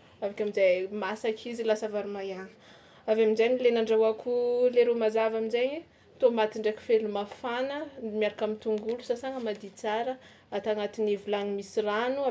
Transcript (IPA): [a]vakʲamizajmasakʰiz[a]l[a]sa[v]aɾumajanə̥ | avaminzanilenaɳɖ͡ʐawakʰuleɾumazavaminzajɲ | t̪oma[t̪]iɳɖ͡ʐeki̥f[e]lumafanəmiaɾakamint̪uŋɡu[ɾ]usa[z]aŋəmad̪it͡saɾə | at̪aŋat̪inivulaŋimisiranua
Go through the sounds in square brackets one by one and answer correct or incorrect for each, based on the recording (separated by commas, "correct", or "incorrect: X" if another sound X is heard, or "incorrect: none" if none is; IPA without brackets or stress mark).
correct, incorrect: i, correct, correct, correct, correct, incorrect: l, incorrect: s